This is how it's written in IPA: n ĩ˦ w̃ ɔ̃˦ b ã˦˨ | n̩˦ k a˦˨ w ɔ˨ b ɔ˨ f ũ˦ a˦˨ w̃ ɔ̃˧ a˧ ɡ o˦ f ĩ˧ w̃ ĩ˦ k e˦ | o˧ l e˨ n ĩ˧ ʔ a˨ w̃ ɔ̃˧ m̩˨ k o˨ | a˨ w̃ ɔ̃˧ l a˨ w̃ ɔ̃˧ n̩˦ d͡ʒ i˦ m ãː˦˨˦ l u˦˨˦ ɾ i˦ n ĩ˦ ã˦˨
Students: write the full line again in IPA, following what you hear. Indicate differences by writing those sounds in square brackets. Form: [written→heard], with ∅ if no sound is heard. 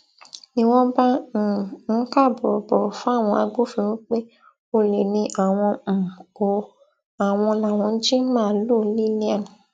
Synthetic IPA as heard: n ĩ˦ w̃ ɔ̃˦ b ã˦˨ | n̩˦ k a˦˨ [w→b] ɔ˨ b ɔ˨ f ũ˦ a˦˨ w̃ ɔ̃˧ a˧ ɡ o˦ f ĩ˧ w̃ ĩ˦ [k→k͡p] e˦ | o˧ l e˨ n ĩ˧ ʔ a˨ w̃ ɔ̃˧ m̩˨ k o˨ | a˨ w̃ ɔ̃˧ l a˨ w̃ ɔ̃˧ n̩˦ d͡ʒ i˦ m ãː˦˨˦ l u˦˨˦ [ɾ→l] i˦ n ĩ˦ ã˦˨